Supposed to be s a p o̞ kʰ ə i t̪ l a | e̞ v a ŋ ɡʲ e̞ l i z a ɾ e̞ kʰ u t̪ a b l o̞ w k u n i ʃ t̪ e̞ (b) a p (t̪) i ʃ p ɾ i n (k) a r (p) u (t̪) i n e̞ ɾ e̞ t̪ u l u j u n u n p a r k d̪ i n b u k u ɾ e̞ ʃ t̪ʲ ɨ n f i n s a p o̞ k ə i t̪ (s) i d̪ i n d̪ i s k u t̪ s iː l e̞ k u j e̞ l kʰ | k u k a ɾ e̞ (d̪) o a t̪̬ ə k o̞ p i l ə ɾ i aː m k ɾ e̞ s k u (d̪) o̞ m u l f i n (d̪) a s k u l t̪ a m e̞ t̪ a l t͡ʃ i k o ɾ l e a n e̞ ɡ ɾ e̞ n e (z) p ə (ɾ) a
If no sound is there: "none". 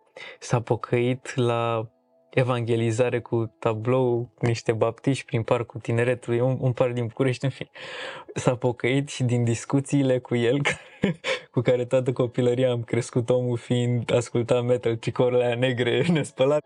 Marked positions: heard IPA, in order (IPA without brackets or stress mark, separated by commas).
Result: b, t̪, p, k, t̪, ʃ, t̪, t̪, d̪, s, l